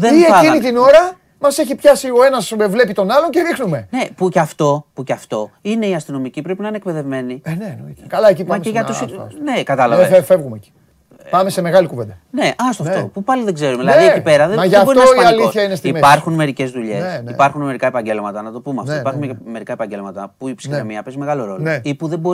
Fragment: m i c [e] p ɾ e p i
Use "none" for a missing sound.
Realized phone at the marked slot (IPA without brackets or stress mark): i